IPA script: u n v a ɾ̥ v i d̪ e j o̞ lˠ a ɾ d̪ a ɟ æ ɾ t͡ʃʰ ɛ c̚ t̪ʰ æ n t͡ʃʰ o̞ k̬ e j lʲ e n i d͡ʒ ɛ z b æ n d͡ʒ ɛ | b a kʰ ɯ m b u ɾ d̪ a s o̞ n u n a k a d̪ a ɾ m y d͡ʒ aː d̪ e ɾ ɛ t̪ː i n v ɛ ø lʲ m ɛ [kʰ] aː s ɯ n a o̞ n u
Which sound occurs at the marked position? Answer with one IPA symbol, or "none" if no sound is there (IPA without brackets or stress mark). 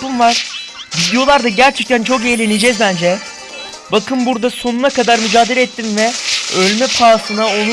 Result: pʰ